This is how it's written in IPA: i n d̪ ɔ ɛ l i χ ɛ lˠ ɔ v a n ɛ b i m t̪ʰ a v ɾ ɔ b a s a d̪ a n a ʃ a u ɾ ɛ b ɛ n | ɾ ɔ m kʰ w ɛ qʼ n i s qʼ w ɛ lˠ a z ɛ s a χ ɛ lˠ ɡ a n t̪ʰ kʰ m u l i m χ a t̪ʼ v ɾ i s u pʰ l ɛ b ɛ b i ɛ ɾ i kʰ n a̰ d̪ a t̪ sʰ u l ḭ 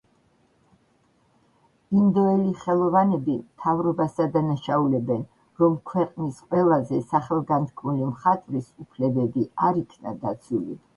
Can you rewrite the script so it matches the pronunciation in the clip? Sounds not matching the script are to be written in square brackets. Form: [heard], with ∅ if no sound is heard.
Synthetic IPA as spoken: i n d̪ ɔ ɛ l i χ ɛ lˠ ɔ v a n ɛ b i m t̪ʰ a v ɾ ɔ b a s a d̪ a n a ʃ a u [l] ɛ b ɛ n | ɾ ɔ m kʰ w ɛ qʼ n i s qʼ w ɛ lˠ a z ɛ s a χ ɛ lˠ ɡ a n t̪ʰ kʰ m u l i m χ a t̪ʼ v ɾ i s u pʰ l ɛ b ɛ b i [a] ɾ i kʰ n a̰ d̪ a t̪ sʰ u l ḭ